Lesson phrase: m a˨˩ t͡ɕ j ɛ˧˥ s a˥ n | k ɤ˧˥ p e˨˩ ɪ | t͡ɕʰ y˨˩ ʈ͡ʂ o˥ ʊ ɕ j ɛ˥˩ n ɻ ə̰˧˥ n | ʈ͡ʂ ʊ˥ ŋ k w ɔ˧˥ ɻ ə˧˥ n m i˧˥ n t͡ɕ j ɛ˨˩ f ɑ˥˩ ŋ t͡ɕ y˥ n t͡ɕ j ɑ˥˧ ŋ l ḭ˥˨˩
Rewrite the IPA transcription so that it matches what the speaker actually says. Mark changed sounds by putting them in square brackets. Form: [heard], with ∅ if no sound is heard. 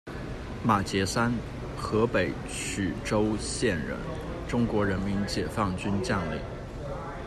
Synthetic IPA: m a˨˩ t͡ɕ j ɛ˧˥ s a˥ n | [x] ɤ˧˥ p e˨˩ ɪ | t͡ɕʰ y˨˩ ʈ͡ʂ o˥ ʊ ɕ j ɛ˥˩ n ɻ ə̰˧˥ n | ʈ͡ʂ ʊ˥ ŋ k w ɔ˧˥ ɻ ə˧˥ n m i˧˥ n t͡ɕ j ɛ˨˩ f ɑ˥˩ ŋ t͡ɕ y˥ n t͡ɕ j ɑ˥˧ ŋ l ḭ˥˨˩